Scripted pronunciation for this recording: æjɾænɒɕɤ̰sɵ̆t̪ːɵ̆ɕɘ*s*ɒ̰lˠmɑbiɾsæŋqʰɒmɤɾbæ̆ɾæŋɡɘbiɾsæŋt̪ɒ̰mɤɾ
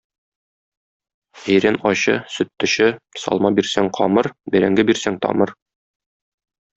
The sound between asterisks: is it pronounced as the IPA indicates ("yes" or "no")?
yes